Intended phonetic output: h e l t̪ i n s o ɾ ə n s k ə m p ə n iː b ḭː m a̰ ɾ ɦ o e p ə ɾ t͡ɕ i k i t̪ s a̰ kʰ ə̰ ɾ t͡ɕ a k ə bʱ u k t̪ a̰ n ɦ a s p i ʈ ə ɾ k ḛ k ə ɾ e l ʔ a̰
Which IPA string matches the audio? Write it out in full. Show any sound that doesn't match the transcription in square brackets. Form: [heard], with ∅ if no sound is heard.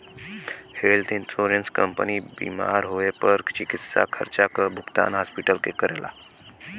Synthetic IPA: h e l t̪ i n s o ɾ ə n s k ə m p ə n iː b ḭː m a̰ ɾ ɦ o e p ə ɾ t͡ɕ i k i t̪ s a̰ kʰ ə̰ ɾ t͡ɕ a k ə bʱ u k t̪ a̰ n ɦ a s p i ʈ ə [l] k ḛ k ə ɾ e l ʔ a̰